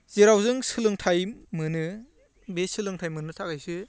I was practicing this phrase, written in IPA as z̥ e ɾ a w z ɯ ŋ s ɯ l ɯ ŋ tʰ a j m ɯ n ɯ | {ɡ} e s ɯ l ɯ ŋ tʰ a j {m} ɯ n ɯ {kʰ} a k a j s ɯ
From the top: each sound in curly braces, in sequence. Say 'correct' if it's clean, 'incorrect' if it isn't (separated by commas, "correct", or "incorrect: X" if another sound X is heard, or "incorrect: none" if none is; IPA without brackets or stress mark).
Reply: incorrect: b, correct, incorrect: tʰ